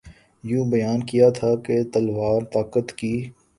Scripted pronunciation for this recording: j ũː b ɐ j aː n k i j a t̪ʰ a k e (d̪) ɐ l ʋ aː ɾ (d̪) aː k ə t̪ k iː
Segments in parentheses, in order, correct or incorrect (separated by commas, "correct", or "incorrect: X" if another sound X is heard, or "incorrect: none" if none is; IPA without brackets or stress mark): incorrect: t̪, incorrect: t̪